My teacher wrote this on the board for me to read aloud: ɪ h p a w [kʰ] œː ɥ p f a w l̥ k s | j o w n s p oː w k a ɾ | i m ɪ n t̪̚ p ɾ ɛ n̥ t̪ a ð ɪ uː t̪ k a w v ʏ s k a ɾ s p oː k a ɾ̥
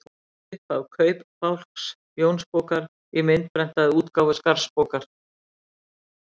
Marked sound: correct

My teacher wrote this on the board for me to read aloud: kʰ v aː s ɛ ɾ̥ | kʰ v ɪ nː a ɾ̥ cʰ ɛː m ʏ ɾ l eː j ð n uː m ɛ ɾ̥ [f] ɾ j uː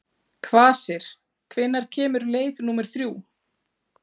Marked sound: incorrect: θ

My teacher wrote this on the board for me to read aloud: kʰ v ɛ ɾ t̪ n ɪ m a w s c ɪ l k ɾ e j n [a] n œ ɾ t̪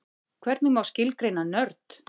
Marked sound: correct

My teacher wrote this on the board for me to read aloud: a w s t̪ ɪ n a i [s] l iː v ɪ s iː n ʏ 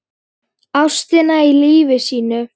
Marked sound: incorrect: none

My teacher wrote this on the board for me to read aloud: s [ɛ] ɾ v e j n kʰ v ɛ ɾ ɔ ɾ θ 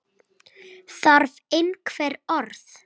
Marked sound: incorrect: a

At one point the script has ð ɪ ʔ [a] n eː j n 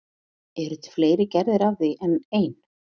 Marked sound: incorrect: ɛ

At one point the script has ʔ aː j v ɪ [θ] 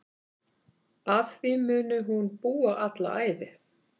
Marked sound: correct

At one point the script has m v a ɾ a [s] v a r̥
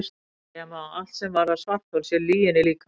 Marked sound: correct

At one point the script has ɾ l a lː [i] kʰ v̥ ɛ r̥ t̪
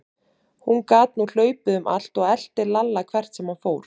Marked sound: incorrect: a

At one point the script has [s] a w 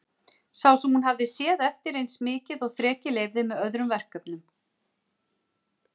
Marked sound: correct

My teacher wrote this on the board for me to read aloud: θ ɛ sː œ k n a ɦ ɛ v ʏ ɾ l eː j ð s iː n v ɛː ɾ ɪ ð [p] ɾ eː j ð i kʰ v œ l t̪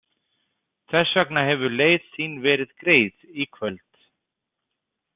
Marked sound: incorrect: k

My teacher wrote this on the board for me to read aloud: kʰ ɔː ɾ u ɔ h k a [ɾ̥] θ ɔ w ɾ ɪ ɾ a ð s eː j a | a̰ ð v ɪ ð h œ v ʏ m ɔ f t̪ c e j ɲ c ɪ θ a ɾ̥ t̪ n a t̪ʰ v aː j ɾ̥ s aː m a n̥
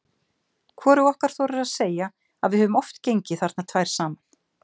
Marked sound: correct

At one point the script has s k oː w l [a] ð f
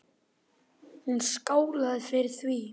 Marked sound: correct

